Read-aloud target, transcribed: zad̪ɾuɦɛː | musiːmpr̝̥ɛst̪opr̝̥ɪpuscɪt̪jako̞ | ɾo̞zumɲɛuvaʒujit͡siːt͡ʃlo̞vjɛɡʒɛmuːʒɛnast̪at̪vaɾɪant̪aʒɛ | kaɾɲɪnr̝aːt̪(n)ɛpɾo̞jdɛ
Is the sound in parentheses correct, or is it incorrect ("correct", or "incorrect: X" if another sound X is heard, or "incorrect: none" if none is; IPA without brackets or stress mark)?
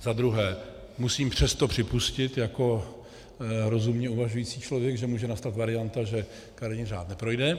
correct